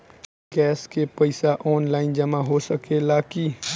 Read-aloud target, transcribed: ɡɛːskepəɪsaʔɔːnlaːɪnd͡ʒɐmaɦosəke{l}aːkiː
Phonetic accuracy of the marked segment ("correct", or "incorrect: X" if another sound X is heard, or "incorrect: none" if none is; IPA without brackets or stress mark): correct